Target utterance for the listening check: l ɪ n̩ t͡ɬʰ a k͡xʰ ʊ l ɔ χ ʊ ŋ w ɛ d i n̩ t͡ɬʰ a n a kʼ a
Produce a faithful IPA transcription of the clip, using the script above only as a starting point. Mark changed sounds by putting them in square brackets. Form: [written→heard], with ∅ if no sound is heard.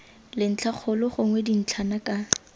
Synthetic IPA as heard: l ɪ n̩ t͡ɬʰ a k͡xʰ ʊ l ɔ χ ʊ ŋ w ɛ d i n̩ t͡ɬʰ a n a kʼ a